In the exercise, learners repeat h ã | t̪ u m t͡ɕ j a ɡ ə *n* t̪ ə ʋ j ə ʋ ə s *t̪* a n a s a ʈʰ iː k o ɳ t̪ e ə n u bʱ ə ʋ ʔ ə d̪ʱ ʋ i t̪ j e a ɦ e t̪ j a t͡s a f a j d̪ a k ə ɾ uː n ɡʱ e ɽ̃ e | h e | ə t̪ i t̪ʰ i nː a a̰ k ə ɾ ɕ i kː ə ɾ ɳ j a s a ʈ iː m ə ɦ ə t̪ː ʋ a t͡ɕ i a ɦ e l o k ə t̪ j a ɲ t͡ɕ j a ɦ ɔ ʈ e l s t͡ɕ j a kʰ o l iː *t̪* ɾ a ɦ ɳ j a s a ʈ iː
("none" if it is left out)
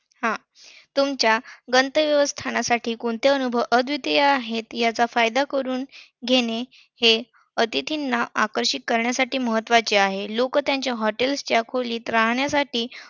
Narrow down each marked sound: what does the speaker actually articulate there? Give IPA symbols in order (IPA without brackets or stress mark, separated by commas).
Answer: n, t̪ʰ, t̪